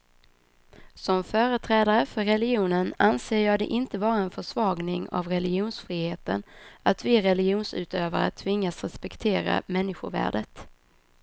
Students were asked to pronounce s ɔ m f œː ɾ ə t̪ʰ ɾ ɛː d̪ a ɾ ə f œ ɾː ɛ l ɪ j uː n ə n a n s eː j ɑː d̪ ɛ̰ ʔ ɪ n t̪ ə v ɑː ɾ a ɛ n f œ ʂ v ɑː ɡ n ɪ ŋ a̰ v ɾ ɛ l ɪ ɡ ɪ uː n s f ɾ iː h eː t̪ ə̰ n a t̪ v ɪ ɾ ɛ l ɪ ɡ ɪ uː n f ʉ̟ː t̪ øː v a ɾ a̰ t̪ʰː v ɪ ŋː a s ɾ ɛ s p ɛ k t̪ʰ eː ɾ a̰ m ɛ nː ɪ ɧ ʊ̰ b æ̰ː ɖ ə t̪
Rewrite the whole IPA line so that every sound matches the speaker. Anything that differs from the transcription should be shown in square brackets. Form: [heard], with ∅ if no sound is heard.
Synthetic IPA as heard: s ɔ m f œː ɾ ə t̪ʰ ɾ ɛː d̪ a ɾ ə f œ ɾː ɛ l ɪ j uː n ə n a n s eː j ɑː d̪ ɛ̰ ʔ ɪ n t̪ ə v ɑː ɾ a ɛ n f œ ʂ v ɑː ɡ n ɪ ŋ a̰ v ɾ ɛ l ɪ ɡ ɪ uː n s f ɾ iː h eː t̪ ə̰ n a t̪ v ɪ ɾ ɛ l ɪ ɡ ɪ uː n [s] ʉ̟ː t̪ øː v a ɾ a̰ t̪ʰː v ɪ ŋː a s ɾ ɛ s p ɛ k t̪ʰ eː ɾ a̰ m ɛ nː ɪ ɧ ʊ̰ [v] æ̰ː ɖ ə t̪